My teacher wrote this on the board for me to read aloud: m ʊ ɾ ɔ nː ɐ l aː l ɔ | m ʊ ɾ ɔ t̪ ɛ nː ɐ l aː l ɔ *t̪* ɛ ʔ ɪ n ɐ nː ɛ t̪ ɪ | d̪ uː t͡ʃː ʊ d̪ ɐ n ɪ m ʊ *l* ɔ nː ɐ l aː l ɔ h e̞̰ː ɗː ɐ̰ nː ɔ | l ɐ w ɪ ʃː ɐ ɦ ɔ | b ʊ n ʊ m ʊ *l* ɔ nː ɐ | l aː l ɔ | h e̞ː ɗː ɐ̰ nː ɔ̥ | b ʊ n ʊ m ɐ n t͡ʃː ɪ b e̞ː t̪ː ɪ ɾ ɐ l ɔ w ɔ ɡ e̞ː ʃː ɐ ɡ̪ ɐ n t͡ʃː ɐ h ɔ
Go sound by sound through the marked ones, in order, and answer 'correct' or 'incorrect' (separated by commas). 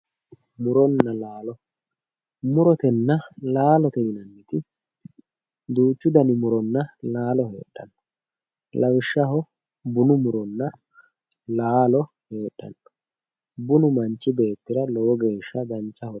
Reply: correct, incorrect, incorrect